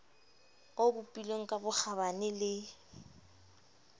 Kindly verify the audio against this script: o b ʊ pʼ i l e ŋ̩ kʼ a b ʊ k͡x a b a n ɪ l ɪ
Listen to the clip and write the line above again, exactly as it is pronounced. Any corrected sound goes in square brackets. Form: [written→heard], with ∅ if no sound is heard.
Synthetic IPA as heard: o b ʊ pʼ i l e ŋ̩ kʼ a b ʊ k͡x a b a n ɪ l ɪ